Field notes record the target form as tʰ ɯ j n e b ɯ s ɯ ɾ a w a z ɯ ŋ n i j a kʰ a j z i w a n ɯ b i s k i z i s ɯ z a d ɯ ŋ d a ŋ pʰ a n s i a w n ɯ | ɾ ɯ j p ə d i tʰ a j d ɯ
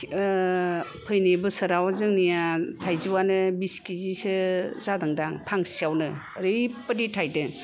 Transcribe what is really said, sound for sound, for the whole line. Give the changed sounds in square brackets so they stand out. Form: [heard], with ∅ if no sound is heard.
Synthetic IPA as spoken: [pʰ] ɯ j n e b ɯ s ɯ ɾ a w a z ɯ ŋ n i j a [tʰ] a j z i w a n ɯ b i s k i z i s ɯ z a d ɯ ŋ d a ŋ pʰ a [ŋ] s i a w n ɯ | ɾ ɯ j p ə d i tʰ a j d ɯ